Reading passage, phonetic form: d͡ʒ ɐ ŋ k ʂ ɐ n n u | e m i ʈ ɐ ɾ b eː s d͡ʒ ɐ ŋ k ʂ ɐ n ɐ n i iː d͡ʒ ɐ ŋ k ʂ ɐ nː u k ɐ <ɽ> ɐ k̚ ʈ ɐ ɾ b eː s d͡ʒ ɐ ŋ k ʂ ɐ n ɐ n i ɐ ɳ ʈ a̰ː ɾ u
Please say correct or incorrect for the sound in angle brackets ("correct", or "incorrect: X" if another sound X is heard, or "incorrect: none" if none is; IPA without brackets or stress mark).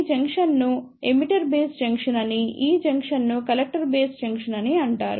incorrect: l